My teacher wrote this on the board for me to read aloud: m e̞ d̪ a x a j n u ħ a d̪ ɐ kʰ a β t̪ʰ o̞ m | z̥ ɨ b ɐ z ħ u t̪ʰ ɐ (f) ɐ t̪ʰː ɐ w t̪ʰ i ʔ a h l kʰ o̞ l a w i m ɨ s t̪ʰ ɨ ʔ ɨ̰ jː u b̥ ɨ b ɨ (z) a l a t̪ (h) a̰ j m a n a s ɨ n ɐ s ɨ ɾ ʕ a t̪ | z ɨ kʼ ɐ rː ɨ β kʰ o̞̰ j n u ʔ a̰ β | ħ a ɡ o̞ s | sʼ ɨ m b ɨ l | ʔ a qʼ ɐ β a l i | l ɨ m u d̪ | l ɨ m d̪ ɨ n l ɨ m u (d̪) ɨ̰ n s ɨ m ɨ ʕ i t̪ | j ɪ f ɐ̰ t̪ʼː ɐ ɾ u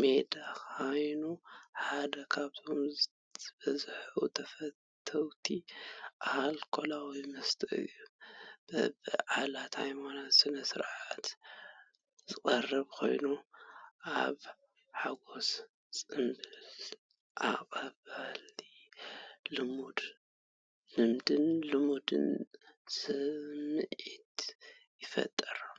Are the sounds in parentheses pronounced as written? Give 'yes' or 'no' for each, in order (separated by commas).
yes, no, yes, yes